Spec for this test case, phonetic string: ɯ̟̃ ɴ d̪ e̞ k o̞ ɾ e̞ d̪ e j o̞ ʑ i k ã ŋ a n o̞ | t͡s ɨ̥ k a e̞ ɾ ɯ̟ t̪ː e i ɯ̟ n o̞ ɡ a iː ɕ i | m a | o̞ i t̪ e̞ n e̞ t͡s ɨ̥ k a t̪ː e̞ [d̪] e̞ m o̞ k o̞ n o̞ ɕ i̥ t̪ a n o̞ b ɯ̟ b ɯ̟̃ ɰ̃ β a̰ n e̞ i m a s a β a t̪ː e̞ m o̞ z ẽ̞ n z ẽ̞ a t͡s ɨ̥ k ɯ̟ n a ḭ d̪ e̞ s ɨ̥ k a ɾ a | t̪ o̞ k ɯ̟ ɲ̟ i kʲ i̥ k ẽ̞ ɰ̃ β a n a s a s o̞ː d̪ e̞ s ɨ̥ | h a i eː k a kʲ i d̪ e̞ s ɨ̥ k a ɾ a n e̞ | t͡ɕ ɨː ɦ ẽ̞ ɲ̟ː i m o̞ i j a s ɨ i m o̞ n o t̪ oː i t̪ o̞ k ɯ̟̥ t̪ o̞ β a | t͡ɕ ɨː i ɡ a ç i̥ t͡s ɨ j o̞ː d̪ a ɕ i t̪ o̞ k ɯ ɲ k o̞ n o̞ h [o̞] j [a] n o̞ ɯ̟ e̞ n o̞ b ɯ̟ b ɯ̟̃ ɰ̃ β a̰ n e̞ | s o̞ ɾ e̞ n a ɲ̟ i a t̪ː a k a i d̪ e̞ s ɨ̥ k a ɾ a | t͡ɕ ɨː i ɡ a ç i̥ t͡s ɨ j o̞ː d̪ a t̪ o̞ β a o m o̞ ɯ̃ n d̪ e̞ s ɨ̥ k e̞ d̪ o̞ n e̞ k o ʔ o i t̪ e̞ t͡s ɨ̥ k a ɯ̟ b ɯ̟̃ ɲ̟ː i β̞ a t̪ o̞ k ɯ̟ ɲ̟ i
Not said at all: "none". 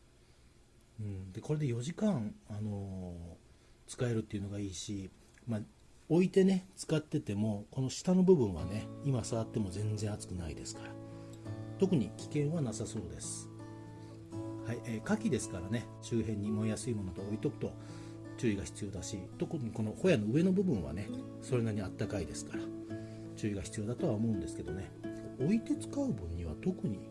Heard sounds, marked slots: t̪, o̞, a

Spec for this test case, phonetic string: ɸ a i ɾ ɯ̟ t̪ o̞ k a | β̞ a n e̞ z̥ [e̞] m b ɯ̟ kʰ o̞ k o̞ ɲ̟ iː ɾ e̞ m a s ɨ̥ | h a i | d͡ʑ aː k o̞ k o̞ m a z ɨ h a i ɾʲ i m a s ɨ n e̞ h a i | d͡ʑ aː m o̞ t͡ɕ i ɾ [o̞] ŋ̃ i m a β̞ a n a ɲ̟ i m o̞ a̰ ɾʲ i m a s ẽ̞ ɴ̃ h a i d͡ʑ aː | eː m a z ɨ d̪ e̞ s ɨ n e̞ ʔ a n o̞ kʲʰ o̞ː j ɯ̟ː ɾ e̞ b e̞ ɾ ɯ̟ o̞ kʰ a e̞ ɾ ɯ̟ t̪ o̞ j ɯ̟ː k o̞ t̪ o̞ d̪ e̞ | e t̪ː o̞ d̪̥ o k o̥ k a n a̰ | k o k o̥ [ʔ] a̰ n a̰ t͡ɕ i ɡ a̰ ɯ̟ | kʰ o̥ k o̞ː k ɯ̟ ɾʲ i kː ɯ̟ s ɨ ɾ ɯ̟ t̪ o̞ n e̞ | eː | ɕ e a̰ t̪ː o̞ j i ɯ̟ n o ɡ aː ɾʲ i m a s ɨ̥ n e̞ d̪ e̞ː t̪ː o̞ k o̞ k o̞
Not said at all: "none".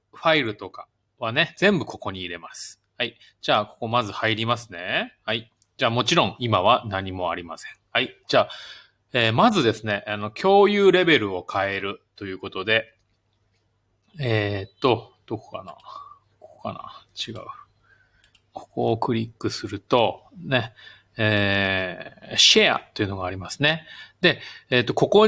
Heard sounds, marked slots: ẽ̞, õ̞, k

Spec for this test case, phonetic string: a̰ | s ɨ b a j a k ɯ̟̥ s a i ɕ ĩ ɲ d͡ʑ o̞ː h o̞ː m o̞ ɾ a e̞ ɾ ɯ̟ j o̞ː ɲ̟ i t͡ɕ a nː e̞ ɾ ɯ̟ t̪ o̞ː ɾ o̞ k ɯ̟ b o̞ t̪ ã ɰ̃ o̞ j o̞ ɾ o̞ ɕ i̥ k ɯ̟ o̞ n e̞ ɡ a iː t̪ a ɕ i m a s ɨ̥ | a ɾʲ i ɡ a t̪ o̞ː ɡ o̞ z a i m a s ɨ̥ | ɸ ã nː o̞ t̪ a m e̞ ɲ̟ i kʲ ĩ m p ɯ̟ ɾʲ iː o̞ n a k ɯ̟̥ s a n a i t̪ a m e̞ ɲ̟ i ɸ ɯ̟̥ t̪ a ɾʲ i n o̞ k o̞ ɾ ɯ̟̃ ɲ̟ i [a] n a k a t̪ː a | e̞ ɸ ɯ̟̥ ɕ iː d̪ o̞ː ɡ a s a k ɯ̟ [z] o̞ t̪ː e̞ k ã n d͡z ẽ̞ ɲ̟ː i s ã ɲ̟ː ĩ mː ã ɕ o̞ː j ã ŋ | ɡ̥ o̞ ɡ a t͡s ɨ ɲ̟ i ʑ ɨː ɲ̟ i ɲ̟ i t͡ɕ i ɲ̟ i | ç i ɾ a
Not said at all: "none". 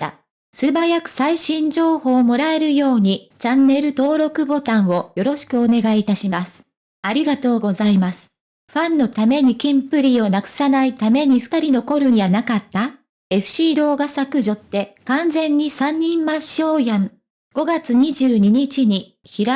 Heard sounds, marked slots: a, ʑ

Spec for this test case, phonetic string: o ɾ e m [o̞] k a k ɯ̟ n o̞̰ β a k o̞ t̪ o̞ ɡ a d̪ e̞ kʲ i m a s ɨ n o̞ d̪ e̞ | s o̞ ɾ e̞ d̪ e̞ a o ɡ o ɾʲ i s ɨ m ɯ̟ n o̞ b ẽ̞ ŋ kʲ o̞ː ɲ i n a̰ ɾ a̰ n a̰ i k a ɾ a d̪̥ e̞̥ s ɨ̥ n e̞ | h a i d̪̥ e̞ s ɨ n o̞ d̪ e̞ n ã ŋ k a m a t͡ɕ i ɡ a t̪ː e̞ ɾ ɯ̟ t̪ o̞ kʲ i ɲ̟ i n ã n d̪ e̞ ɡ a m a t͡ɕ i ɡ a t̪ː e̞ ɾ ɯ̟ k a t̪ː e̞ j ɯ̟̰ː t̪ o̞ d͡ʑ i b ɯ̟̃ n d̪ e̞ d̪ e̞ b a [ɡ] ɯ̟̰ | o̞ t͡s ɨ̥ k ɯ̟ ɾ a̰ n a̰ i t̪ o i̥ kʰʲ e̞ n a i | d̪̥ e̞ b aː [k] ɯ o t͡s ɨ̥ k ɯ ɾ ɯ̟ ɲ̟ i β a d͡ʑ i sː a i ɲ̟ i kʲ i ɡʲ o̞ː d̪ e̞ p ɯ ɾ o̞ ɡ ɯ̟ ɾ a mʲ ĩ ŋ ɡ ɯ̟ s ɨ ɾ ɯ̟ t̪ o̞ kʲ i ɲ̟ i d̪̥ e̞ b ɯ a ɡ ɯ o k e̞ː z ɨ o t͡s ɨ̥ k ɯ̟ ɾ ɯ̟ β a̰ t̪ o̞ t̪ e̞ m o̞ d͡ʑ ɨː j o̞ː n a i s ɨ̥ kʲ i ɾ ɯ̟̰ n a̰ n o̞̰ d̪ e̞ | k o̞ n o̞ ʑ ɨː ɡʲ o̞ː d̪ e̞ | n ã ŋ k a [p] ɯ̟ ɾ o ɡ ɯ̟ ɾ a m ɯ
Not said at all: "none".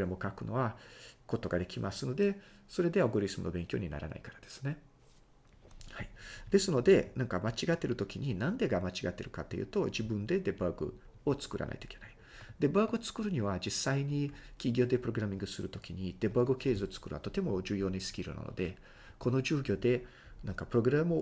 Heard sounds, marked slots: o̞, ɡ, ɡ, p

